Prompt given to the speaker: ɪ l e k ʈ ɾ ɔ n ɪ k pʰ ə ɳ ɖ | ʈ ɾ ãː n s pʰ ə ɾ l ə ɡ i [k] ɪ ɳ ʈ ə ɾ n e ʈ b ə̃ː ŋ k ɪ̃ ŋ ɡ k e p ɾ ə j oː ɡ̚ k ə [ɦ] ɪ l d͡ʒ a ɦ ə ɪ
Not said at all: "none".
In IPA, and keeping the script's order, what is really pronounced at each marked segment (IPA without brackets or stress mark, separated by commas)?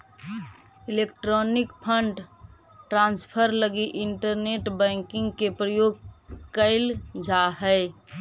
ʔ, none